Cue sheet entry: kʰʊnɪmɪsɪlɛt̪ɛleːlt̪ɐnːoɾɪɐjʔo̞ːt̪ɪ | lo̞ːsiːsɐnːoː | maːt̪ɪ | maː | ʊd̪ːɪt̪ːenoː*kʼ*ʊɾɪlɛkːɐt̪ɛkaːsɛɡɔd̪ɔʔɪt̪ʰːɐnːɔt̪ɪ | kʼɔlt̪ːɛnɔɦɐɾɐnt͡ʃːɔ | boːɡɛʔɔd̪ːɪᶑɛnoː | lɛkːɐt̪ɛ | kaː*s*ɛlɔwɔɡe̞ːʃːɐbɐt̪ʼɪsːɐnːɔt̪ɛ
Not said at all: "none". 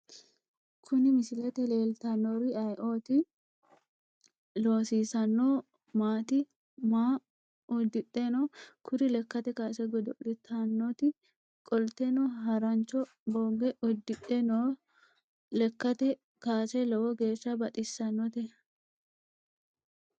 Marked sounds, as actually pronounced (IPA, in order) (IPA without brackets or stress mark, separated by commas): k, s